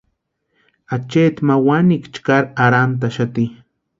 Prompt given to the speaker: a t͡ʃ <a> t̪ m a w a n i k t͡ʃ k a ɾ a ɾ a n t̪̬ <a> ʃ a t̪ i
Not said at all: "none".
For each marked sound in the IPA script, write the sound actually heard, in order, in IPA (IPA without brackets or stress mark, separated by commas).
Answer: e, a